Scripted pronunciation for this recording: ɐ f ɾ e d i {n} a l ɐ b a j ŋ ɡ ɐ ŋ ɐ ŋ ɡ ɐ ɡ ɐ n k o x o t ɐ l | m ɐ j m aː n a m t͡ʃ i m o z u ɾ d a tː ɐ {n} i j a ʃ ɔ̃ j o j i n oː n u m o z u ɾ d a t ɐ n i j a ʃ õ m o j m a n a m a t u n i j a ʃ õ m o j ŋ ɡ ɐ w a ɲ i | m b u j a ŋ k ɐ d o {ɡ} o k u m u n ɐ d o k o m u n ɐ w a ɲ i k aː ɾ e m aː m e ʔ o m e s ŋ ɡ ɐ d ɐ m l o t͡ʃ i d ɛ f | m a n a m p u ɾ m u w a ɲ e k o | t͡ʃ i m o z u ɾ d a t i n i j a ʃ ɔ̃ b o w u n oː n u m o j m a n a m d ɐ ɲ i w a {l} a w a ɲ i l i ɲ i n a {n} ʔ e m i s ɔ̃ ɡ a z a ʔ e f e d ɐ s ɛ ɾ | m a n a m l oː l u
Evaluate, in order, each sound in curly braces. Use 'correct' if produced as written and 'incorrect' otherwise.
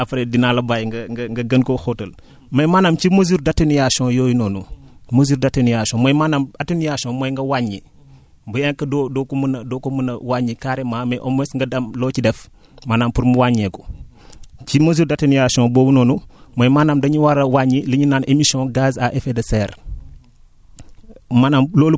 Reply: correct, correct, incorrect: d, incorrect: ɾ, correct

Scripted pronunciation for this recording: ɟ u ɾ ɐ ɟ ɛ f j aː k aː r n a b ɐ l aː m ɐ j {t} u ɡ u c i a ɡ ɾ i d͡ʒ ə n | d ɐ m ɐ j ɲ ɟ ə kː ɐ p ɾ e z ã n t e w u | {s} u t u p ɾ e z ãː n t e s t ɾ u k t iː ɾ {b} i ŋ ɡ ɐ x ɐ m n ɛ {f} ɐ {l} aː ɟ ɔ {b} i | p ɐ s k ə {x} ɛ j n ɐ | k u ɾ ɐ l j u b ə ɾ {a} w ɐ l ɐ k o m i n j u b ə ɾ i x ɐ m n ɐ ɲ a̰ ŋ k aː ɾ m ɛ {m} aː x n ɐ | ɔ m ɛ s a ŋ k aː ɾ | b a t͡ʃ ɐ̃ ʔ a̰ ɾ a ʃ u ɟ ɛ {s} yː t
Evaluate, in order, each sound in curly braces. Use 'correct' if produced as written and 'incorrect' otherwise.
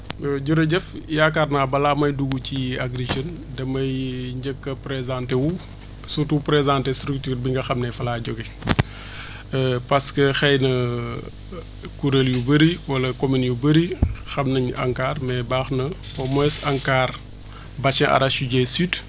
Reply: incorrect: d, correct, correct, correct, correct, incorrect: ɡ, correct, incorrect: i, incorrect: b, correct

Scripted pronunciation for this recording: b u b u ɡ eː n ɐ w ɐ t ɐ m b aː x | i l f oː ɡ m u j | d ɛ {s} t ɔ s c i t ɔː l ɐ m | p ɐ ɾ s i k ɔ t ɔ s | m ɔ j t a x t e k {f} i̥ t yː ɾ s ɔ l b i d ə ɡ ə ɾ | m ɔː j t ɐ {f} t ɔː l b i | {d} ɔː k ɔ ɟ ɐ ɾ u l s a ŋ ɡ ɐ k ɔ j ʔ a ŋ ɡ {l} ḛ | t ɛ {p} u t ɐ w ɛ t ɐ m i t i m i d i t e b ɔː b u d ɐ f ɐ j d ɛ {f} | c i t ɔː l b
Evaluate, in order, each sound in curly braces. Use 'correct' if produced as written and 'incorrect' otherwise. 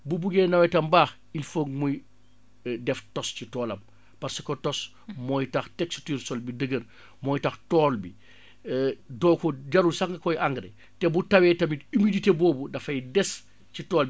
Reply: incorrect: f, incorrect: s, incorrect: x, correct, incorrect: ɾ, incorrect: b, incorrect: s

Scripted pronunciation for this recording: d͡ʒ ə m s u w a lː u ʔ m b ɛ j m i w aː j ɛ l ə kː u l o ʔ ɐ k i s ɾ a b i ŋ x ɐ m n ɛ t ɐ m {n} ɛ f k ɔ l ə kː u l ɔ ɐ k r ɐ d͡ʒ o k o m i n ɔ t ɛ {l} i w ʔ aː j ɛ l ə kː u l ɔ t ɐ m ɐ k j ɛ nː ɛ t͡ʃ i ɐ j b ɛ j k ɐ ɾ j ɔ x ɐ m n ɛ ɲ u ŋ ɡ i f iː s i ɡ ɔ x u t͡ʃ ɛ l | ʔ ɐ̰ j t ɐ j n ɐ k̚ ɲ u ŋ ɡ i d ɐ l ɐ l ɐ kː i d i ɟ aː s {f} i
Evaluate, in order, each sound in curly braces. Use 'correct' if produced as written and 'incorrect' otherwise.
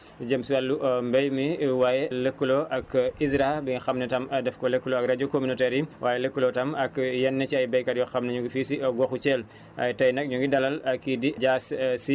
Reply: incorrect: d, incorrect: ɾ, incorrect: s

